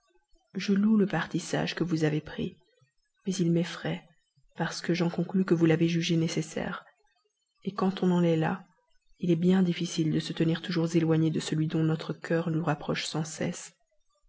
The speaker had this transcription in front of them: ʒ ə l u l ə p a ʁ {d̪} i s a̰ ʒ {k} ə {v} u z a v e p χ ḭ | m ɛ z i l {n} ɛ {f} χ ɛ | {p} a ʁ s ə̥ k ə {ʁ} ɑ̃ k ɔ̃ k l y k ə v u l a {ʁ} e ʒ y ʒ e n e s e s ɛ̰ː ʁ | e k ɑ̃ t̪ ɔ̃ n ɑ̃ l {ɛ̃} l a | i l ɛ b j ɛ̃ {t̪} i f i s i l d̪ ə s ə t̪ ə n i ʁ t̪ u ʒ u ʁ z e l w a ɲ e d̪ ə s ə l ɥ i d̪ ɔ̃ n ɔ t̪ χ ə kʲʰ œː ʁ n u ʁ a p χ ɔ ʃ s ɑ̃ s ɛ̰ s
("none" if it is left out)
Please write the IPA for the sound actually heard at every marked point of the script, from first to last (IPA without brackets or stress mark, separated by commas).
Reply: t̪, k, v, m, f, p, ʒ, v, ɛ, d̪